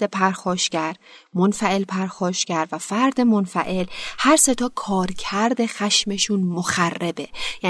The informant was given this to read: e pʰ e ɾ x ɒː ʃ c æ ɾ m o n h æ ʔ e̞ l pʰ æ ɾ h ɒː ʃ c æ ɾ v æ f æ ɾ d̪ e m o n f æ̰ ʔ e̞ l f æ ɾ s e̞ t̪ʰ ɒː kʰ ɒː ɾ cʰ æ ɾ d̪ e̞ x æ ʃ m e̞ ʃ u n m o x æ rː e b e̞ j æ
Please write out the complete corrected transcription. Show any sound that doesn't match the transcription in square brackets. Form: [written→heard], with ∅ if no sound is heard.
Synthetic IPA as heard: e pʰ [e→æ] ɾ x ɒː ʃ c æ ɾ m o n [h→f] æ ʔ e̞ l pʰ æ ɾ [h→x] ɒː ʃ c æ ɾ v æ f æ ɾ d̪ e m o n f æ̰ ʔ e̞ l [f→h] æ ɾ s e̞ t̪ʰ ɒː kʰ ɒː ɾ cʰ æ ɾ d̪ e̞ x æ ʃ m e̞ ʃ u n m o x æ rː e b e̞ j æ